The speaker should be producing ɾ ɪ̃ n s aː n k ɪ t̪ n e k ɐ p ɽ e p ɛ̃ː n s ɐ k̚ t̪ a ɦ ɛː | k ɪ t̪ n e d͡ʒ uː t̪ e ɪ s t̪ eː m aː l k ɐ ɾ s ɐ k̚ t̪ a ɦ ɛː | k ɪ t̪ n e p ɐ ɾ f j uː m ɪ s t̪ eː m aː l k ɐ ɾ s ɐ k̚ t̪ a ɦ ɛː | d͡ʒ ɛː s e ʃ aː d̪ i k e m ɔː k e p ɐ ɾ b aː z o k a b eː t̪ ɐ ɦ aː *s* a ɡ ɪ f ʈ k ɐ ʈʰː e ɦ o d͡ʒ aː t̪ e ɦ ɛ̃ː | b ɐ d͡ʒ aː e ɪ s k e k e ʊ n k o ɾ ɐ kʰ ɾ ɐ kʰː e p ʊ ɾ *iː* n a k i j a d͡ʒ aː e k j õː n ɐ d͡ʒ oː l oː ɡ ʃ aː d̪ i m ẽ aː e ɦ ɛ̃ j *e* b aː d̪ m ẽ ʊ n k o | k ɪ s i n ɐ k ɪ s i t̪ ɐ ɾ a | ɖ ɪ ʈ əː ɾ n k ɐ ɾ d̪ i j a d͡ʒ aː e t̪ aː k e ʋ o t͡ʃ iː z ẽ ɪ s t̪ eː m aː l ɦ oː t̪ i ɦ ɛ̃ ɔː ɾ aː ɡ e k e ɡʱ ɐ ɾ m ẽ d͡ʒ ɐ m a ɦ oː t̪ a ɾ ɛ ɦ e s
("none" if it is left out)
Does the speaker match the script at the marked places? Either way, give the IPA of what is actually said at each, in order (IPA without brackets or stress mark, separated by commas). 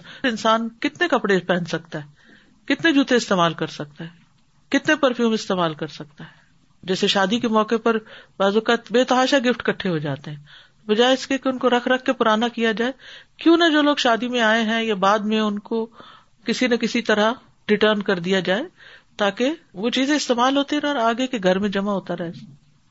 ʃ, aː, a